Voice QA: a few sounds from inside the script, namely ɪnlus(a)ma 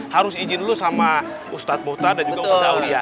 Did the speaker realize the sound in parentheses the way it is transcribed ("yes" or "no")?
yes